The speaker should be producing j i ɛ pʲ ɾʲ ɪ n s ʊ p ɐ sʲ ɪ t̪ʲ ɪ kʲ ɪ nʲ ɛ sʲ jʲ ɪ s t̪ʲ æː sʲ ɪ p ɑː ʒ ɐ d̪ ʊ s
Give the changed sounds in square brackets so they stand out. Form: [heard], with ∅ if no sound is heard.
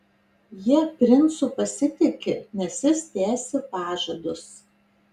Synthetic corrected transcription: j i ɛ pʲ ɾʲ ɪ n s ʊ p ɐ sʲ ɪ t̪ʲ ɪ kʲ ɪ nʲ ɛ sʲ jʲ ɪ s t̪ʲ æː sʲ ɪ p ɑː ʒ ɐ d̪ ʊ s